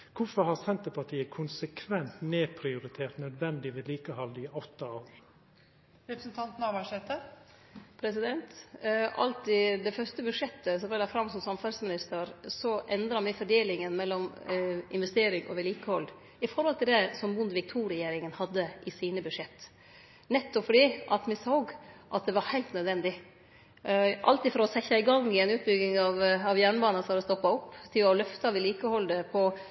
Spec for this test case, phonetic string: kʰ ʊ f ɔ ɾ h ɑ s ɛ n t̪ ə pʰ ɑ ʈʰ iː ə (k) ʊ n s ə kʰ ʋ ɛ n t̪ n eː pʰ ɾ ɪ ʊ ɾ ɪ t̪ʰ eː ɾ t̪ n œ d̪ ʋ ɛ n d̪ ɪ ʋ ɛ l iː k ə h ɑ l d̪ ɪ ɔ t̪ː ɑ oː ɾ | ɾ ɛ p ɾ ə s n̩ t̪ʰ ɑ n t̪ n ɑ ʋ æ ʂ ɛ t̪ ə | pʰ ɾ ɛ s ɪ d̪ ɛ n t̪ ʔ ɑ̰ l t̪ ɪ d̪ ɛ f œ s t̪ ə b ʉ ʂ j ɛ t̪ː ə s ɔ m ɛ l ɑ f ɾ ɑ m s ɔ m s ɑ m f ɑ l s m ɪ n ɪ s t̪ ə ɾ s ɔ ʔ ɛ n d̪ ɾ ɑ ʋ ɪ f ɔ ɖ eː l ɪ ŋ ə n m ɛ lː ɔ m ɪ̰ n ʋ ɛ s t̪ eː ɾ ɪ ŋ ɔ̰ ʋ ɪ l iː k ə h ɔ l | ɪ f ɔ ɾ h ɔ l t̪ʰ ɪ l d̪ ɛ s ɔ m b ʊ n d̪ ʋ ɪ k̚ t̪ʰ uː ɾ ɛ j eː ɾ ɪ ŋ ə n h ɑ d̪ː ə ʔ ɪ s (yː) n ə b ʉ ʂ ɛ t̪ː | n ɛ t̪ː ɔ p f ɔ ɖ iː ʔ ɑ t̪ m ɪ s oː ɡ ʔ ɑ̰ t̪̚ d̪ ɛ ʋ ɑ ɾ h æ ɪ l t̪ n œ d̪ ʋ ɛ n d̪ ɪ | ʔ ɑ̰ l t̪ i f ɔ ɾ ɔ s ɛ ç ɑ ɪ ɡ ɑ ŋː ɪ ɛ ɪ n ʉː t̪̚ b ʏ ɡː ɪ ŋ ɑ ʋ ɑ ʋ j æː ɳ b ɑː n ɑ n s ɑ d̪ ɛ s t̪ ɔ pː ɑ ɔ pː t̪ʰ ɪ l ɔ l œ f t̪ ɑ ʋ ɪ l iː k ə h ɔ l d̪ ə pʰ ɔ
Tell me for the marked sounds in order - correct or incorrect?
incorrect: kʰ, incorrect: iː

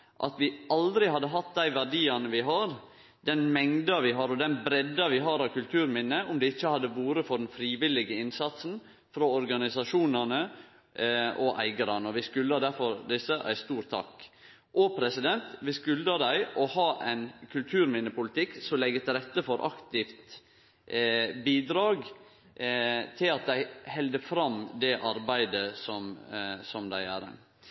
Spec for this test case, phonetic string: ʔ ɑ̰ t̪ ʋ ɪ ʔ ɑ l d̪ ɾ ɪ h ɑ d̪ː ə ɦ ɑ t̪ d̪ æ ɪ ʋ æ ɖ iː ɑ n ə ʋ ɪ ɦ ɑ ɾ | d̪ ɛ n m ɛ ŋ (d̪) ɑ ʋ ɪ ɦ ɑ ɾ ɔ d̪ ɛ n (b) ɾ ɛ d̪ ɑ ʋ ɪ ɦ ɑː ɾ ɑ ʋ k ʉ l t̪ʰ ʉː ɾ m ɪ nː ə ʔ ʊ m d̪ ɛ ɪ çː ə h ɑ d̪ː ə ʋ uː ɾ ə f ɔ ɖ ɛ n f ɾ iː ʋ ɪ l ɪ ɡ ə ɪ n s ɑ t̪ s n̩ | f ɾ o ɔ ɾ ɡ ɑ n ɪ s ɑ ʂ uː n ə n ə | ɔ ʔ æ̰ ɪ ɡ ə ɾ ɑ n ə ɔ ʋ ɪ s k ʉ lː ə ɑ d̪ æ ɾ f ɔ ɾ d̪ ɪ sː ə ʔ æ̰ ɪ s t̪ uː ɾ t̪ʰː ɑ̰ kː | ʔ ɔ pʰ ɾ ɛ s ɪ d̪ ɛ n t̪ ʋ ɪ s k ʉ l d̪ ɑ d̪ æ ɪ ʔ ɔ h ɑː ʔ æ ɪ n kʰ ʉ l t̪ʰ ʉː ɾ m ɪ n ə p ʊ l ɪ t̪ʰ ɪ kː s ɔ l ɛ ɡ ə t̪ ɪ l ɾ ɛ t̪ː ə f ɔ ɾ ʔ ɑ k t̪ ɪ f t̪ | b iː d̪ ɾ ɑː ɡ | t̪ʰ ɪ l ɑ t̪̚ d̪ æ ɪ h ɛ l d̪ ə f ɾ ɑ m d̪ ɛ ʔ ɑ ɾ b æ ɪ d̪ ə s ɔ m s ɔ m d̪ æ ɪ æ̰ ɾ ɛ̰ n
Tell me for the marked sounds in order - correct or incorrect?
correct, correct

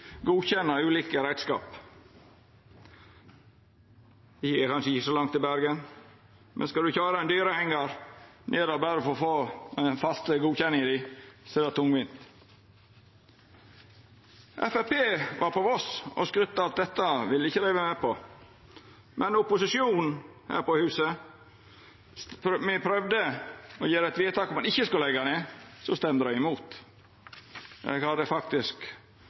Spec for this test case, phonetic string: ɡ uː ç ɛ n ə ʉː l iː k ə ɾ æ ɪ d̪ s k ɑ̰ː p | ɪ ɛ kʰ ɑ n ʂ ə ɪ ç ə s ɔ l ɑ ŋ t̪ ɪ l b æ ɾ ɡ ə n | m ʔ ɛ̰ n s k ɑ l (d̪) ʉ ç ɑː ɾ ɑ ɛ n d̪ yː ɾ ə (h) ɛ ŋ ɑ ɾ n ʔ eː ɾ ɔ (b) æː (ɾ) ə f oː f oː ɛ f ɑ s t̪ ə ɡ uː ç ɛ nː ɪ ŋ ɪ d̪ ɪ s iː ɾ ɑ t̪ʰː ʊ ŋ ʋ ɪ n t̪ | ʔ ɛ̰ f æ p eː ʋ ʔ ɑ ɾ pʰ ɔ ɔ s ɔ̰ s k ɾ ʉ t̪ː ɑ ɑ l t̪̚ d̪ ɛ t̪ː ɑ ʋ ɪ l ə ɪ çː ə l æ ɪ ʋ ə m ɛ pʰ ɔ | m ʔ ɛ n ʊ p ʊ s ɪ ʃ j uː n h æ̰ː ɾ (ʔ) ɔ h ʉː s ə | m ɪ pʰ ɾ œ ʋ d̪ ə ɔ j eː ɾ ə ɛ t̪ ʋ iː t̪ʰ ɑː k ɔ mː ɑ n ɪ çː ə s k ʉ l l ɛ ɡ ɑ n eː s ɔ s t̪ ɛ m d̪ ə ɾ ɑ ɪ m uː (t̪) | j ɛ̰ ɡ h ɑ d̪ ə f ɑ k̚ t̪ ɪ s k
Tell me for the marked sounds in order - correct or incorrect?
correct, correct, correct, correct, incorrect: p, correct

